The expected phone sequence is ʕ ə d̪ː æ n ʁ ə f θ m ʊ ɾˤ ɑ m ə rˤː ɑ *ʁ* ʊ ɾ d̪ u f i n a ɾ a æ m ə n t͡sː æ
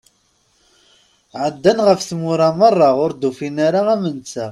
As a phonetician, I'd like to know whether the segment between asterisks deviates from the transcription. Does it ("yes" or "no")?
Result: no